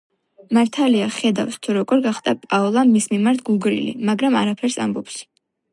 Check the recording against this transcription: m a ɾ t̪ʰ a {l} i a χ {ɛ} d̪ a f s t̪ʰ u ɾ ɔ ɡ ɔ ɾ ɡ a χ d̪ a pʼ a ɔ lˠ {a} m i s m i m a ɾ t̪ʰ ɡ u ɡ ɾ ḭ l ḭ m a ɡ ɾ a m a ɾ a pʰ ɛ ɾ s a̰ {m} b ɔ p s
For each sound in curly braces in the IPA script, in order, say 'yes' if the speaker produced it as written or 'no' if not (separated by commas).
yes, yes, yes, yes